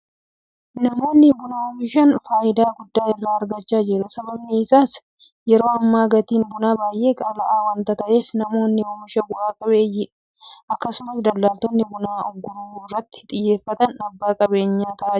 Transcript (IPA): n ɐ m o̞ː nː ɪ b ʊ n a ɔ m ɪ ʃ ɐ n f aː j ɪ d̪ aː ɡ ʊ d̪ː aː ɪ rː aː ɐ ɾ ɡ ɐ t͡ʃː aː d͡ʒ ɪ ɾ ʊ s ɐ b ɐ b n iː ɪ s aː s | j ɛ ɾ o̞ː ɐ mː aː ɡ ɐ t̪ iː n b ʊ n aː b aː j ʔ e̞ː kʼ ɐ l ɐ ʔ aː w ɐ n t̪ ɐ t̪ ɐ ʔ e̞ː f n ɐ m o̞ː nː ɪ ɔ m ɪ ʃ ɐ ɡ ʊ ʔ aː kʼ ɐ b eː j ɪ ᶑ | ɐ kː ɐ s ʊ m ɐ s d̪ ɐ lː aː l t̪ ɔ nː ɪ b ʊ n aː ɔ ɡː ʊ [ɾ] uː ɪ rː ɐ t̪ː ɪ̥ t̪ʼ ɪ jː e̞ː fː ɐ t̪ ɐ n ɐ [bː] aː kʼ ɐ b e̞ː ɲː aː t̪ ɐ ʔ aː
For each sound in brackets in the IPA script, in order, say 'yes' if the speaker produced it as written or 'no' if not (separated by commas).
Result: yes, yes